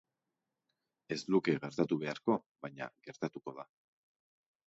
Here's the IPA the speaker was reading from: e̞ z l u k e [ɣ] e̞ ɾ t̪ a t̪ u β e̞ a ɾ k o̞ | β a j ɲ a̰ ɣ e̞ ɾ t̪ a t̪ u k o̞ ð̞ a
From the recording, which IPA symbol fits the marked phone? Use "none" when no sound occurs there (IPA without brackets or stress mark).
ɣ